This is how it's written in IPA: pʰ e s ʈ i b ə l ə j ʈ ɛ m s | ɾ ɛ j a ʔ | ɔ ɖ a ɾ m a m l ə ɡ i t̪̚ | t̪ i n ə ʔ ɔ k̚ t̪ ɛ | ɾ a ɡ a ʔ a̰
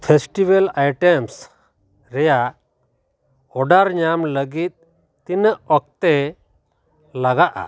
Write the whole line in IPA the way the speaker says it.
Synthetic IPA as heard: pʰ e s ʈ i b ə l a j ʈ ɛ m s | ɾ ɛ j a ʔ | ɔ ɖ a ɾ ɲ a m l ə ɡ i t̪̚ | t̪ i n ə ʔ ɔ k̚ t̪ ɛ | l a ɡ a ʔ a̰